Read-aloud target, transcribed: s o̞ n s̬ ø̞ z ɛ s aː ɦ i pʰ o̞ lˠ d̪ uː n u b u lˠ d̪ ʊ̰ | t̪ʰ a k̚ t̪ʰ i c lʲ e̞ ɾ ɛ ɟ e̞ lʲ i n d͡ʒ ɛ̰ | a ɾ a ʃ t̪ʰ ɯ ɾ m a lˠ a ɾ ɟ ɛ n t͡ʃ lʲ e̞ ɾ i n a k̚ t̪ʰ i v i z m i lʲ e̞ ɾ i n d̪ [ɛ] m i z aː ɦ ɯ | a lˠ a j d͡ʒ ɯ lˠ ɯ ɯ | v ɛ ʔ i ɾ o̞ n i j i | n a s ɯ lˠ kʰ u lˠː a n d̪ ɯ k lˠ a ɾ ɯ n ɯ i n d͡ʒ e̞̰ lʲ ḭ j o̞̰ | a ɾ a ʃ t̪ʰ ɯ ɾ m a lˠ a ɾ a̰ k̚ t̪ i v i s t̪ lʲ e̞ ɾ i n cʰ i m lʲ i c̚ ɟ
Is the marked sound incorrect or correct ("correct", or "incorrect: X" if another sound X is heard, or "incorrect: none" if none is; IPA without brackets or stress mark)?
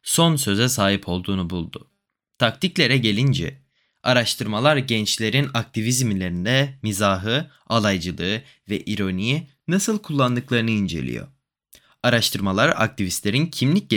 correct